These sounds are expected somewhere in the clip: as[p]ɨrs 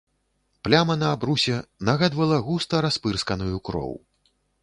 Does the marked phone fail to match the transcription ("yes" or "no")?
no